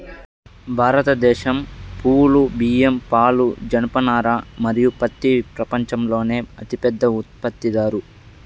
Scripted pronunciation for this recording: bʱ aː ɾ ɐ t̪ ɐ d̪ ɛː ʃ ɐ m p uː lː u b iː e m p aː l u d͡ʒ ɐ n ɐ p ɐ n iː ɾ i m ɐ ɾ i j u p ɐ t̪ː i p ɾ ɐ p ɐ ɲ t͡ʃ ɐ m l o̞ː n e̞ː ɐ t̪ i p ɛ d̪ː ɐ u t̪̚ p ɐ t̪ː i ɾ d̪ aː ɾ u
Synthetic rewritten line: bʱ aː ɾ ɐ t̪ ɐ d̪ ɛː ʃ ɐ m p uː l u b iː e m p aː l u d͡ʒ ɐ n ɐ p ɐ n aː ɾ a m ɐ ɾ i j u p ɐ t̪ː i p ɾ ɐ p ɐ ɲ t͡ʃ ɐ m l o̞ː n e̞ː ɐ t̪ i p ɛ d̪ː ɐ u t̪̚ p ɐ t̪ː i d̪ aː ɾ u